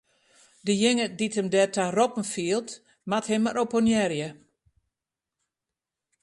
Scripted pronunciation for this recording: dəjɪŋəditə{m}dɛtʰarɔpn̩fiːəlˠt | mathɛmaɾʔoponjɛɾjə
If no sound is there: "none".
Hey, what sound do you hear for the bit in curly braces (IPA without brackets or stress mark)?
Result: m